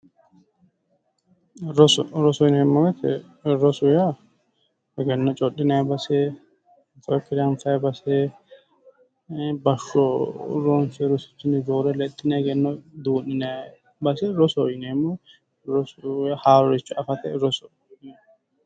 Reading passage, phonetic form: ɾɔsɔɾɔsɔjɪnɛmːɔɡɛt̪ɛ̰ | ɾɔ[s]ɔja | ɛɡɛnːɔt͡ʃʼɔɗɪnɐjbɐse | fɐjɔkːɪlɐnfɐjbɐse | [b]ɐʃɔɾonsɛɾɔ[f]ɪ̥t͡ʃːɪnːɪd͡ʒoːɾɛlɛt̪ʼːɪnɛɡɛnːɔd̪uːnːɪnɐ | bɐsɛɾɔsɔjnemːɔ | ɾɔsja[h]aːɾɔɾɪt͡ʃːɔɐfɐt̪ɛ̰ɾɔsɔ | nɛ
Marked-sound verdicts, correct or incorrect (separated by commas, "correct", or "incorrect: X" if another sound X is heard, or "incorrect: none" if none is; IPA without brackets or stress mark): correct, correct, incorrect: s, correct